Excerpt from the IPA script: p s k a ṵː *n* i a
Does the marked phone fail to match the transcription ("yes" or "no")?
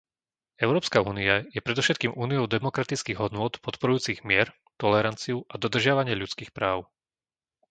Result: no